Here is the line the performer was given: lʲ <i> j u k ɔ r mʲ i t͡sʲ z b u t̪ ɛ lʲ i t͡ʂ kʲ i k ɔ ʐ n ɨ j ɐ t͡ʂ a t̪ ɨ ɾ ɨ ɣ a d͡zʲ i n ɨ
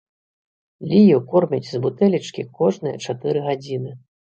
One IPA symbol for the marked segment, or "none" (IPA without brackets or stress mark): i